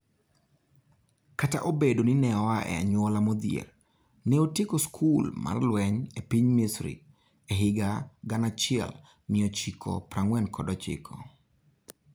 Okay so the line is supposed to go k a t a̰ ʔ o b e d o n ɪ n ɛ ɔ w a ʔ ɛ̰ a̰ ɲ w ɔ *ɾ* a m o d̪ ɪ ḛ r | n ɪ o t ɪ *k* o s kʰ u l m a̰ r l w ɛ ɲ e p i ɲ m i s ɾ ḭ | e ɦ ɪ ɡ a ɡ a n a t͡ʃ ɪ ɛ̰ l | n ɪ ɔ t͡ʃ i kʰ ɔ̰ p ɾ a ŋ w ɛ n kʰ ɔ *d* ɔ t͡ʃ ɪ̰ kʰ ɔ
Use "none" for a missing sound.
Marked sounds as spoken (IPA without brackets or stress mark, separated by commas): l, k, d